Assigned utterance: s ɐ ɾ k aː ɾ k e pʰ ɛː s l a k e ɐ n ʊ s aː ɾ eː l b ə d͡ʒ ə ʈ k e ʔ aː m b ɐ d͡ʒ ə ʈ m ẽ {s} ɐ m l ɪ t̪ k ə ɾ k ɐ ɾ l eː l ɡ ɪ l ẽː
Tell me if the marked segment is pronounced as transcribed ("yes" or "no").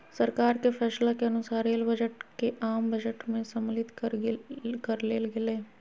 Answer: yes